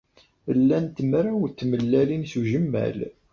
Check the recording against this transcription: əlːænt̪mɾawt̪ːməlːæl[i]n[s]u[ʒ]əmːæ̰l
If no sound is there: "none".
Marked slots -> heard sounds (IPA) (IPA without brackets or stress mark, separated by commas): i, s, ʒ